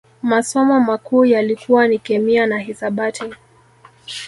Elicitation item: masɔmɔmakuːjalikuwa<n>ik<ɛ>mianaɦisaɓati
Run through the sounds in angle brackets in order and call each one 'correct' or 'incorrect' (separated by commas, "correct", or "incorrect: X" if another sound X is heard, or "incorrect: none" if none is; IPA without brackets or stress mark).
correct, correct